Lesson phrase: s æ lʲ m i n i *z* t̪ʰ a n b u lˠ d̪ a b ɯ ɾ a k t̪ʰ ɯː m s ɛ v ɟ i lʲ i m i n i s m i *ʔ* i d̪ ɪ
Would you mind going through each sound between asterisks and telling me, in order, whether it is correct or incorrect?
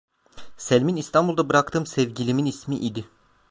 incorrect, correct

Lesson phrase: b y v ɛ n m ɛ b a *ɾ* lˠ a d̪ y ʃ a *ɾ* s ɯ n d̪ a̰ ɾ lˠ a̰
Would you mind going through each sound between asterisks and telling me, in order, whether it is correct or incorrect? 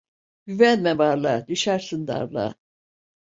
correct, correct

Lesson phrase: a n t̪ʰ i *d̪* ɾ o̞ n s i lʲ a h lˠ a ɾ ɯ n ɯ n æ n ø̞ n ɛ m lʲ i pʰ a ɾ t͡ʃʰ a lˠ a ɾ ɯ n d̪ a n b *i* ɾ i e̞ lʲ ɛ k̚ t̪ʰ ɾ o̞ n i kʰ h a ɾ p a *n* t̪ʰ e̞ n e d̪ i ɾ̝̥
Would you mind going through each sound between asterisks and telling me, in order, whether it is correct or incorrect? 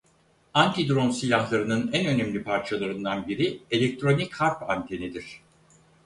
correct, correct, correct

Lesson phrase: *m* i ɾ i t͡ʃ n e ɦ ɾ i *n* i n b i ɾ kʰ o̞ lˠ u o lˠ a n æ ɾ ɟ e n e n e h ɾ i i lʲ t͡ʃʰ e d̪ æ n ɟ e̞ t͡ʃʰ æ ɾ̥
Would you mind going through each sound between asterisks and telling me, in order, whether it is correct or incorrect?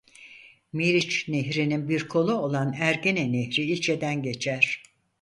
correct, correct

